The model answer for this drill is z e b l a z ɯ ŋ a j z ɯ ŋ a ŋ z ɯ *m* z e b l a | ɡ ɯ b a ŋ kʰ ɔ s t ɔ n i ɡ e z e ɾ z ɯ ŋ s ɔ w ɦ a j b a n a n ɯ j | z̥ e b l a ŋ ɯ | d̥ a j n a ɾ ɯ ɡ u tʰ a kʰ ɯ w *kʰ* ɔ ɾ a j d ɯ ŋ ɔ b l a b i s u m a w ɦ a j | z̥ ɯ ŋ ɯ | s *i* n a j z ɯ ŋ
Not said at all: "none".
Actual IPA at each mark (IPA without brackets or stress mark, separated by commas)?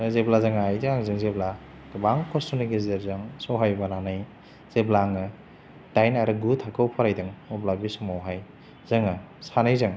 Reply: ŋ, pʰ, a